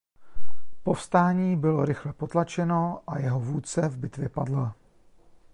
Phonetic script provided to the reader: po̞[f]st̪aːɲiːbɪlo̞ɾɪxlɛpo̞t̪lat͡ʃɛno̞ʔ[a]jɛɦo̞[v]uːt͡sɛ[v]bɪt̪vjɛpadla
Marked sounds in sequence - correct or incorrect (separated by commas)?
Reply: correct, correct, correct, correct